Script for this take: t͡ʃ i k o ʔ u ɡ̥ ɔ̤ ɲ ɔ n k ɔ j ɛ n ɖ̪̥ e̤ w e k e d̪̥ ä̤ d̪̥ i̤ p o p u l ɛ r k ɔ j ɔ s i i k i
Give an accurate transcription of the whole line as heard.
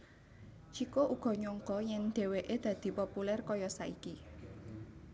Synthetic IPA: t͡ʃ i k o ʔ u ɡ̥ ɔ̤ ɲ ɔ ŋ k ɔ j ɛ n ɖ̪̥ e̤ w e ʔ e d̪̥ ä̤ d̪̥ i̤ p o p u l ɛ r k ɔ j ɔ s a i k i